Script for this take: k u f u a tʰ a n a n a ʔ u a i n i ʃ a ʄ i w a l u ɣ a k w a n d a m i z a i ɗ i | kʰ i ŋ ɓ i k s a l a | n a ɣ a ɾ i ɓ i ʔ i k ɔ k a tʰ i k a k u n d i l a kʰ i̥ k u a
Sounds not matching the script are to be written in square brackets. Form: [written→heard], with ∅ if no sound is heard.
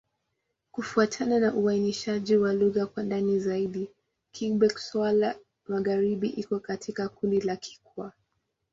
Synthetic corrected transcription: k u f u a tʰ a n a n a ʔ u a i n i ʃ a ʄ i w a l u ɣ a k w a n d a [m→n] i z a i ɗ i | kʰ i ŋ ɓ [i→ɛ] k s a l a | [n→m] a ɣ a ɾ i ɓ i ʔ i k ɔ k a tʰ i k a k u n d i l a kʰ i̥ k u a